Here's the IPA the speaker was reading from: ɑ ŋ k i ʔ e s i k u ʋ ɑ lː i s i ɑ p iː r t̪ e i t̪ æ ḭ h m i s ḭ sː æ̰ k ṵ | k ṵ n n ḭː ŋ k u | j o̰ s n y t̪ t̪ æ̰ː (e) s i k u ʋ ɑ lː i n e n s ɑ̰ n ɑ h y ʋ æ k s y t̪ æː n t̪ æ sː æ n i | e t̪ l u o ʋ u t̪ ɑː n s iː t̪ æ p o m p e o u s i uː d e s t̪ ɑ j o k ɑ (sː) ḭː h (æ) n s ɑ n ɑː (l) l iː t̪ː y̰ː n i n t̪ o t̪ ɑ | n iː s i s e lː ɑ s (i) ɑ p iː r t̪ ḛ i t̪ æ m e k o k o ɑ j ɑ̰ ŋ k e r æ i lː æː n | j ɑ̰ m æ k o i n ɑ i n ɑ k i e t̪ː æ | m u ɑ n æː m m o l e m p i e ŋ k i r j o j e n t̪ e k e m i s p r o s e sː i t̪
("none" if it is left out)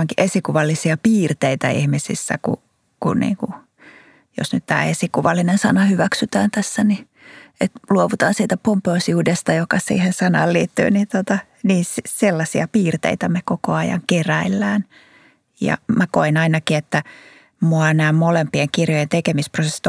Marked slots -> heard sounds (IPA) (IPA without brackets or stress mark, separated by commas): e, s, e, l, i